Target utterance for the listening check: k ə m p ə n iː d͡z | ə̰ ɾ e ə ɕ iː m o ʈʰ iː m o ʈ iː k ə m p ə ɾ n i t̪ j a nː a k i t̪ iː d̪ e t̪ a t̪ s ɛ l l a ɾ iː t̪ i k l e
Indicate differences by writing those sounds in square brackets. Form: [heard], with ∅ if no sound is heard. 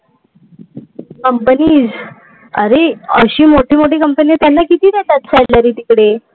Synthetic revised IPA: k ə m p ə n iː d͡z | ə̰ ɾ e ə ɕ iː m o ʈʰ iː m o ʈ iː k ə m p ə [∅] n i t̪ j a nː a k i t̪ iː d̪ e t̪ a t̪ s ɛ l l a ɾ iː t̪ i k [ɽ] e

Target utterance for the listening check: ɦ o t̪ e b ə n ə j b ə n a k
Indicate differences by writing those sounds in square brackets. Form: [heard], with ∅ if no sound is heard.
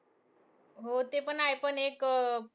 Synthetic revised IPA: ɦ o t̪ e [p] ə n [a] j [p] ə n [e] k

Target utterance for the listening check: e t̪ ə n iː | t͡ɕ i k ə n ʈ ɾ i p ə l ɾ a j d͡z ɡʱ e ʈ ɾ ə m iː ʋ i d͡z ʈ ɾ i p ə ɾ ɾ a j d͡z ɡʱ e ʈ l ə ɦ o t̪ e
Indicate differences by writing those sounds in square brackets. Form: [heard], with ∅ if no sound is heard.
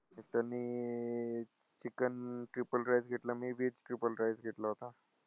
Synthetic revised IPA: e t̪ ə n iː | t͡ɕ i k ə n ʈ ɾ i p ə l ɾ a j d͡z ɡʱ e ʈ [l] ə m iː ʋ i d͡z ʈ ɾ i p ə [l] ɾ a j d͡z ɡʱ e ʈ l ə ɦ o t̪ [a]

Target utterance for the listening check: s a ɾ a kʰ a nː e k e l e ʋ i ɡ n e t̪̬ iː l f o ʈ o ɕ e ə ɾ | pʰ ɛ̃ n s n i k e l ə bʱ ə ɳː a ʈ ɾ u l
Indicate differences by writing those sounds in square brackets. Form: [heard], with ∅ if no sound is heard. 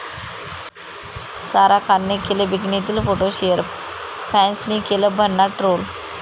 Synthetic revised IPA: s a ɾ a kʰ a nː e k e l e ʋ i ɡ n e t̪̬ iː l f o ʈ o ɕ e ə ɾ | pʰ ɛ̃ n s n i k e l ə bʱ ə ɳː a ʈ ɾ [o] l

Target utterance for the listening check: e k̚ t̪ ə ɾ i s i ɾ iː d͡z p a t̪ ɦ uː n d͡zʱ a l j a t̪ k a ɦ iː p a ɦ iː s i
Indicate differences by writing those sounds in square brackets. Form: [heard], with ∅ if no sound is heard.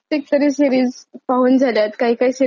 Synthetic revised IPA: e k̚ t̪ ə ɾ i s i ɾ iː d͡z p a [∅] ɦ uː n d͡zʱ a l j a t̪ k a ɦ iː [k] a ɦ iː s i

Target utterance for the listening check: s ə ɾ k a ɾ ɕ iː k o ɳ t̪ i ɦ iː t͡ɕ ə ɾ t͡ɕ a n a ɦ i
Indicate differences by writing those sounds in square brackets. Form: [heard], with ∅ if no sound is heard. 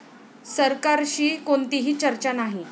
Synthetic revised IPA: s ə ɾ k a ɾ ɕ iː k o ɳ t̪ i ɦ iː t͡ɕ ə ɾ t͡ɕ a n a ɦ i

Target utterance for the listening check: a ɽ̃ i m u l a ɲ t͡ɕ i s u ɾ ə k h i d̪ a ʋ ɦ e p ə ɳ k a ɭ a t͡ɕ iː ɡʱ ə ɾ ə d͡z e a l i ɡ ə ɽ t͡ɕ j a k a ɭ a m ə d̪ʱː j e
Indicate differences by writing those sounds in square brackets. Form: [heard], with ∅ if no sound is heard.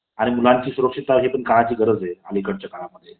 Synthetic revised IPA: a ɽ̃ i m u l a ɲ t͡ɕ [iː] s u ɾ ə k [ʂ] i [t̪] a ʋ ɦ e p ə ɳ k a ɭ a t͡ɕ iː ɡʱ ə ɾ ə d͡z e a l i [k] ə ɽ t͡ɕ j a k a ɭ a m ə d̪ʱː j e

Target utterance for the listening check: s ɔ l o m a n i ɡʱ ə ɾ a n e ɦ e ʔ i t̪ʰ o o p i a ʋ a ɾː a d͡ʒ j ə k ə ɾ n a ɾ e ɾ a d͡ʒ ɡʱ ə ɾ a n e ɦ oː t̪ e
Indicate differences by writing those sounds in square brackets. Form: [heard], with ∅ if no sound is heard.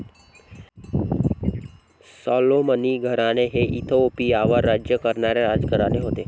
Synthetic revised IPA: s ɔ l o m [ə] n i ɡʱ ə ɾ a n e ɦ e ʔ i t̪ʰ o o p i a ʋ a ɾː a d͡ʒ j ə k ə ɾ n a ɾ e ɾ a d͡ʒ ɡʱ ə ɾ a n e ɦ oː t̪ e

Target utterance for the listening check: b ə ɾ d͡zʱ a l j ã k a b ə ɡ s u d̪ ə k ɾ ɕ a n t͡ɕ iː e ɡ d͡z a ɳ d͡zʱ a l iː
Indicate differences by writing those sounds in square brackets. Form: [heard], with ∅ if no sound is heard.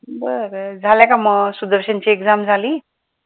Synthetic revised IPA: b ə ɾ d͡zʱ a l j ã k a [m] ə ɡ s u d̪ ə [∅] ɾ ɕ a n t͡ɕ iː e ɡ d͡z a [m] d͡zʱ a l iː

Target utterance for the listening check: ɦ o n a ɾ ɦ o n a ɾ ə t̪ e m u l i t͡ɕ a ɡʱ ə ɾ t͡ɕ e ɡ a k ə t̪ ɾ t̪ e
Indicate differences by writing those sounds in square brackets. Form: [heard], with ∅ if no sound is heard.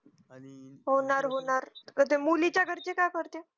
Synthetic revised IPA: ɦ o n a ɾ ɦ o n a ɾ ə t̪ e m u l i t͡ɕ a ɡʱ ə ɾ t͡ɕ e [k] a k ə [∅] ɾ t̪ e

